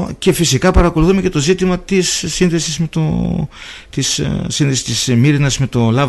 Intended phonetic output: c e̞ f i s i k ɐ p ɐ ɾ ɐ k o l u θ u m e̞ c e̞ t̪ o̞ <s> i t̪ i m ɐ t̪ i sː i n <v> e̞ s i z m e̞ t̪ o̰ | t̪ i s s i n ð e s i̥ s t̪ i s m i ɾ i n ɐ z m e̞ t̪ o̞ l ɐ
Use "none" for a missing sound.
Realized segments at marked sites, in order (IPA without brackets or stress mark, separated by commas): z, ð